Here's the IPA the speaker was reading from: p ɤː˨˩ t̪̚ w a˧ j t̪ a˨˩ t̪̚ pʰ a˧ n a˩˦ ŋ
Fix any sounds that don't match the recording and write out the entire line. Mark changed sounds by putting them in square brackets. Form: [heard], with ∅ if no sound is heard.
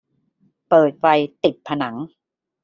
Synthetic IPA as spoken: p ɤː˨˩ t̪̚ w a˧ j t̪ [i˨˩] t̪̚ pʰ a˧ n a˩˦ ŋ